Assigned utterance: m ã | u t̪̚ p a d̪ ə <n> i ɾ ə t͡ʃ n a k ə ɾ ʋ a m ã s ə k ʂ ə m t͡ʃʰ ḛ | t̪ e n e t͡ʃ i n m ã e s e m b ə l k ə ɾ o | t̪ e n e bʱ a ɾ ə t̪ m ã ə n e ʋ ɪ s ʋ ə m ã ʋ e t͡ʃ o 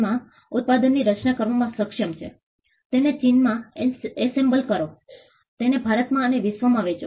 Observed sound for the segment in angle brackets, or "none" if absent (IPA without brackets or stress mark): nː